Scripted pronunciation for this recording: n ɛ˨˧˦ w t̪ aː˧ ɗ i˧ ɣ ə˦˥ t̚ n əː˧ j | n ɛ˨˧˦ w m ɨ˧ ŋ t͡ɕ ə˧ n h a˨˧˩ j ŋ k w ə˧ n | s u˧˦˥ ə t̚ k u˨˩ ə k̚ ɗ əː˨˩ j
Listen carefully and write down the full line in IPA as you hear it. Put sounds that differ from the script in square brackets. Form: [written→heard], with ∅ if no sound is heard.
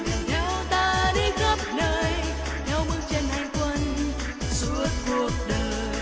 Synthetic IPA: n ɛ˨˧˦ w t̪ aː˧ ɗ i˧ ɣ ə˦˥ [t̚→p̚] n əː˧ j | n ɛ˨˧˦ w m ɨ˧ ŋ t͡ɕ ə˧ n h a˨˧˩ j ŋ k w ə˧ n | s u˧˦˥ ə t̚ k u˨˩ ə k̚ ɗ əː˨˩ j